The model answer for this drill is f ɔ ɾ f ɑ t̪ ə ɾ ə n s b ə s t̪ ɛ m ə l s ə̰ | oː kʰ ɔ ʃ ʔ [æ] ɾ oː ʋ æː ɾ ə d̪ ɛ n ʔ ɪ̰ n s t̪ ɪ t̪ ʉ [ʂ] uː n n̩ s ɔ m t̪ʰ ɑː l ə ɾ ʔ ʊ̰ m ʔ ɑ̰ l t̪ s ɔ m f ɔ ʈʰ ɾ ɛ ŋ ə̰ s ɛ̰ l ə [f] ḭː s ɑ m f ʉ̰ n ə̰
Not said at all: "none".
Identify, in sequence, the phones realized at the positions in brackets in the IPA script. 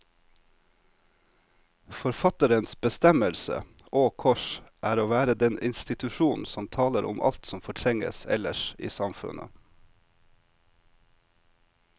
æː, ʃ, ʃ

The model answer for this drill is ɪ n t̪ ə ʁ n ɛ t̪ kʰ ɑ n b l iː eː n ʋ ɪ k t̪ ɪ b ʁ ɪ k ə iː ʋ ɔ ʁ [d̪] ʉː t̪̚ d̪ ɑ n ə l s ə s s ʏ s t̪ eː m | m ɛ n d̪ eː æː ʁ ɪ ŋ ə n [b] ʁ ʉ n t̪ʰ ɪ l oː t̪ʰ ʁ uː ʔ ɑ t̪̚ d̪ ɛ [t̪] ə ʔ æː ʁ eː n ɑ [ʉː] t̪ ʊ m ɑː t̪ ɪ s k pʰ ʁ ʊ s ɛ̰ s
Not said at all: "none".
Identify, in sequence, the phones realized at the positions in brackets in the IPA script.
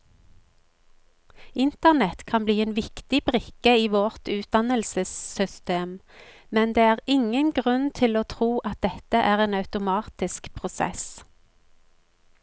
t̪, ɡ, t̪, ʉ

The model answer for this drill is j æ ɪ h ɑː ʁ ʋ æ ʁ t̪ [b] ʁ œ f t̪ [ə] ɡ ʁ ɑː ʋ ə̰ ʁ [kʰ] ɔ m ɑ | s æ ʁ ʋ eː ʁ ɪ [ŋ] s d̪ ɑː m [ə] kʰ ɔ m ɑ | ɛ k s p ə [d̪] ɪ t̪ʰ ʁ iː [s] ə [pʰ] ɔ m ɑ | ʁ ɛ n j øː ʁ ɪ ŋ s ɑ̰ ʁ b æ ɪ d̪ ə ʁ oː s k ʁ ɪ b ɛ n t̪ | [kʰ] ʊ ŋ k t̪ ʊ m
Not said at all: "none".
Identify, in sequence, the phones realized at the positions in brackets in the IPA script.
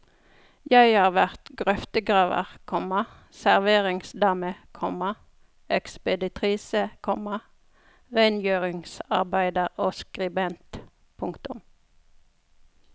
ɡ, ə, kʰ, ŋ, ə, d̪, s, kʰ, pʰ

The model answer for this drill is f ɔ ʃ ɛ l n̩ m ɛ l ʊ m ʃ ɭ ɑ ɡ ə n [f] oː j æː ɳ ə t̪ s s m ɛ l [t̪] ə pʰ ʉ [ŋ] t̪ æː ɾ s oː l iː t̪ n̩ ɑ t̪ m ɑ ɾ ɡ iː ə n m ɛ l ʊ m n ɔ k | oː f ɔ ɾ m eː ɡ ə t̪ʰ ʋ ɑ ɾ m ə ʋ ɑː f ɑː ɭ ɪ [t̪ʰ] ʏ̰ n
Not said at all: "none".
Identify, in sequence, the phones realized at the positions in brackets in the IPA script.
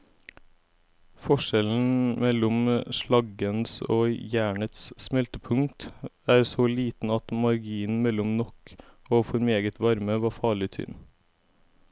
s, t̪, ŋ, t̪ʰ

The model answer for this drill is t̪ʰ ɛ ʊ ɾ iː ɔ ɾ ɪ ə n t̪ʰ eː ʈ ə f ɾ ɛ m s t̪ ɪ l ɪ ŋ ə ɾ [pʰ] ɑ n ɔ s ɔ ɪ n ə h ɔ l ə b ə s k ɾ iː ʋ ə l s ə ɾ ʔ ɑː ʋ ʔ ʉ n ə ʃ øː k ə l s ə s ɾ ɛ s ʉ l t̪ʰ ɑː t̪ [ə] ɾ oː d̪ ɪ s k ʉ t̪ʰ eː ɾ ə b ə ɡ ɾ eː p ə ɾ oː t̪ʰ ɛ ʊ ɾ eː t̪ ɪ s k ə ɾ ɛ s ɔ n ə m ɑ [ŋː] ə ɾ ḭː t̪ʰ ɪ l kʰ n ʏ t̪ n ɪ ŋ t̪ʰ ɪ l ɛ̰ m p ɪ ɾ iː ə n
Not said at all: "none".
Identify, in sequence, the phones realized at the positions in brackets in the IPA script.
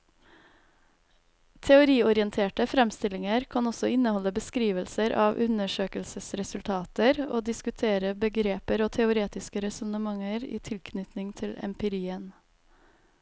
kʰ, ə, ŋ

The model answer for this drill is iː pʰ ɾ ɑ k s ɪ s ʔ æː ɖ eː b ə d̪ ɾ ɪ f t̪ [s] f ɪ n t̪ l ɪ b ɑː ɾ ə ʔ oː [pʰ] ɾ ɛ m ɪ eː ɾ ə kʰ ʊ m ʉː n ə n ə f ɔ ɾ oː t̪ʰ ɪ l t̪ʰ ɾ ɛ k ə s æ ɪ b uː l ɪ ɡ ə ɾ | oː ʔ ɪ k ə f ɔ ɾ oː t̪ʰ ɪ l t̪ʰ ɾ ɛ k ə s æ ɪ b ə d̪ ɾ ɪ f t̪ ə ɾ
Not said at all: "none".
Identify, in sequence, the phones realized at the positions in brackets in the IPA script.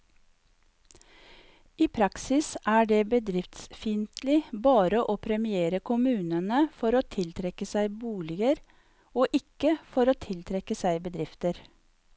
s, pʰ

